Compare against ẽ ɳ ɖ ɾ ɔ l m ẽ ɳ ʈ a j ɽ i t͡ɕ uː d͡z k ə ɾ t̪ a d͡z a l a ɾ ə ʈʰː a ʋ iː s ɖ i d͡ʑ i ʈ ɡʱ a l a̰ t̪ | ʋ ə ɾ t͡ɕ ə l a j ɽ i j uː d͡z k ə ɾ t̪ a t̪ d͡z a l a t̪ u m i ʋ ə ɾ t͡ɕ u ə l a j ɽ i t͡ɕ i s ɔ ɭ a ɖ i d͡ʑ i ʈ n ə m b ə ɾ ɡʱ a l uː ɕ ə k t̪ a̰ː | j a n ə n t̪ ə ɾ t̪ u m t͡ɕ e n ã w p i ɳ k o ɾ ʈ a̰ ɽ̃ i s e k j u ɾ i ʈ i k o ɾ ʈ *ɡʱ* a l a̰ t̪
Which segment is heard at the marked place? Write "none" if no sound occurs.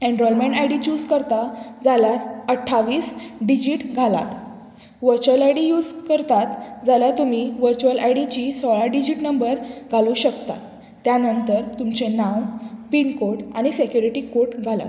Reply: ɡʱ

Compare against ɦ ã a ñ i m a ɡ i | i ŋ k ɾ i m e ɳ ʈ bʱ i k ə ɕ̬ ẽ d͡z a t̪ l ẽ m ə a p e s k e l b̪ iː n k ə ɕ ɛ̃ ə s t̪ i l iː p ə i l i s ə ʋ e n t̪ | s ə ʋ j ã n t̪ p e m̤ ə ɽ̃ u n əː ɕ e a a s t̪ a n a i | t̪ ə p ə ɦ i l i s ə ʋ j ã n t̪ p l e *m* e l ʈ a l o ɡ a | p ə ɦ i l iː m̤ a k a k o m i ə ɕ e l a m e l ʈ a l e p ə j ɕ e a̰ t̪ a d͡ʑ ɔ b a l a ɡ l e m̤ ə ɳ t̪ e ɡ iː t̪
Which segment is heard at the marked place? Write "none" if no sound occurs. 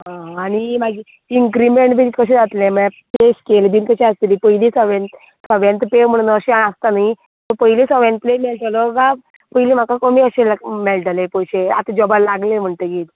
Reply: m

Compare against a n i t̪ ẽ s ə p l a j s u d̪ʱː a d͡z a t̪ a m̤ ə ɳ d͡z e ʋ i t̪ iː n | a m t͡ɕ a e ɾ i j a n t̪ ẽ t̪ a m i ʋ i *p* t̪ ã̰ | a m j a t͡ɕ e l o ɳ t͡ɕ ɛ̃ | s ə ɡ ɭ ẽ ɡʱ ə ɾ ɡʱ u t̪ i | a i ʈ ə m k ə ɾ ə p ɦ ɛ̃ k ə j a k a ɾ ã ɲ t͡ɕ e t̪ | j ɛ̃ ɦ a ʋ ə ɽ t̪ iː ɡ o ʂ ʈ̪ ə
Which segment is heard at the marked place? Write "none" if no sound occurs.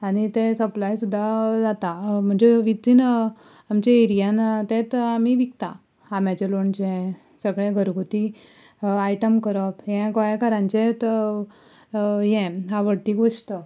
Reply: k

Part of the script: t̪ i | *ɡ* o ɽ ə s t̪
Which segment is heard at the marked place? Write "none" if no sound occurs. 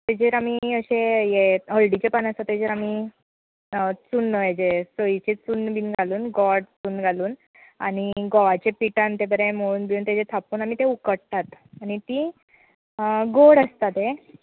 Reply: ɡ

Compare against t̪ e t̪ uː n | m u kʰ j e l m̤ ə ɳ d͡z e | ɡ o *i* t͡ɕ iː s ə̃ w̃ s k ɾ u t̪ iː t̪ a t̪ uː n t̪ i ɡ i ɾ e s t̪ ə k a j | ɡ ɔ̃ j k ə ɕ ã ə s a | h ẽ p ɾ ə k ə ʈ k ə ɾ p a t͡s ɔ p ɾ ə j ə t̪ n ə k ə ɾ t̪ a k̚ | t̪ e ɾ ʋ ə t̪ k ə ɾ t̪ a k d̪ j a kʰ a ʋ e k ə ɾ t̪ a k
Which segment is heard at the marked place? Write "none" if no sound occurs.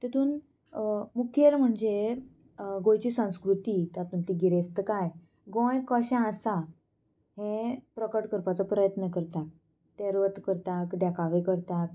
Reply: j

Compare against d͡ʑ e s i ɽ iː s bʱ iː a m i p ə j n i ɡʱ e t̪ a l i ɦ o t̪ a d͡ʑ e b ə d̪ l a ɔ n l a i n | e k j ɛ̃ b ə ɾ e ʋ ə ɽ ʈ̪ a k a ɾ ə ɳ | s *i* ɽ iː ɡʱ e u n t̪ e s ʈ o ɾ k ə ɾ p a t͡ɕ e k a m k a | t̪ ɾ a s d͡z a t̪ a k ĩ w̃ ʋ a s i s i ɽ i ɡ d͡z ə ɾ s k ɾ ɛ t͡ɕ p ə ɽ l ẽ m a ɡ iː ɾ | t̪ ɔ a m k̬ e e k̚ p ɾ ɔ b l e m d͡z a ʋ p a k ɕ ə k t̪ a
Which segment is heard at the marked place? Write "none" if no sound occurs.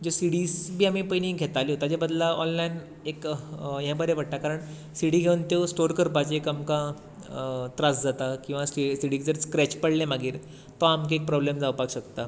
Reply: i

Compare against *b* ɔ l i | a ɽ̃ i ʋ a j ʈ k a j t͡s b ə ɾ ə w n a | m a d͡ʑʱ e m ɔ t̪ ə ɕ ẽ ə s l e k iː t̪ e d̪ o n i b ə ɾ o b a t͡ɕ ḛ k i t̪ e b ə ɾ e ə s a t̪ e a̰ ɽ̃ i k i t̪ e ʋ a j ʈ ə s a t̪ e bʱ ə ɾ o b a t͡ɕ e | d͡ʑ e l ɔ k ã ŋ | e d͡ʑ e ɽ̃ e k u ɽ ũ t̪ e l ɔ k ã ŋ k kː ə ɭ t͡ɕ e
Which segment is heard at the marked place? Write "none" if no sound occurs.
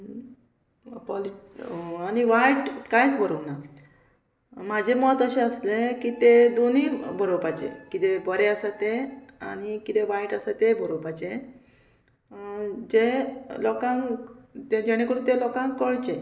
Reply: p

